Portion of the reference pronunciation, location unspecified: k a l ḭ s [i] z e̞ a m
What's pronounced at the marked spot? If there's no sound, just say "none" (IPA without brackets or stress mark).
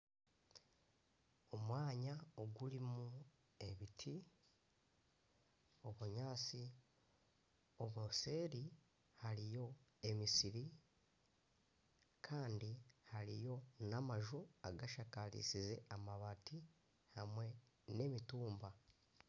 i